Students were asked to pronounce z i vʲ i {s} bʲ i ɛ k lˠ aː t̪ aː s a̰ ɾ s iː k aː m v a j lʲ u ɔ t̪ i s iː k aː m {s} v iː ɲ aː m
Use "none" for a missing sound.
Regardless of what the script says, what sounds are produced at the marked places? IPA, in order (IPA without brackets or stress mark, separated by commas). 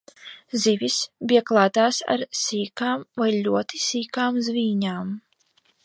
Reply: s, z